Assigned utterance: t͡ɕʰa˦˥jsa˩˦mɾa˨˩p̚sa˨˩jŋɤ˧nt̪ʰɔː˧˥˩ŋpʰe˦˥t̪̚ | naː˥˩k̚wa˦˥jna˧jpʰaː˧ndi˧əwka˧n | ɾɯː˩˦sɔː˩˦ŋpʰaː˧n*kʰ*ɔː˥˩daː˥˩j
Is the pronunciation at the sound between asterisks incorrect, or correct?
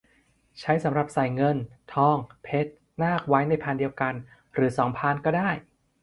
incorrect